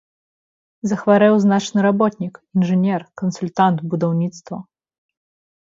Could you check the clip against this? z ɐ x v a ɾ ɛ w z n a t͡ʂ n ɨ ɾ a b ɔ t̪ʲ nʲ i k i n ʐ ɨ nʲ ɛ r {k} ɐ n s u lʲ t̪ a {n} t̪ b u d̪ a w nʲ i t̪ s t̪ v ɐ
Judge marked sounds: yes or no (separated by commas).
yes, yes